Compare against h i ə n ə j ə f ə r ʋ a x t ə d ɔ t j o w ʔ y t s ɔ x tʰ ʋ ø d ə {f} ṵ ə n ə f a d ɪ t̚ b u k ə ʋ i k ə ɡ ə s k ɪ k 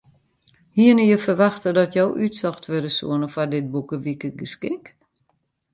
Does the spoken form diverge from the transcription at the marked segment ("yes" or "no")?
yes